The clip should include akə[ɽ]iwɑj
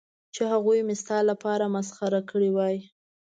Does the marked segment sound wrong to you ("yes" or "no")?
no